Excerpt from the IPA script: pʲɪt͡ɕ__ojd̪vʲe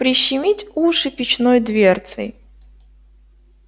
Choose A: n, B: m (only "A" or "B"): A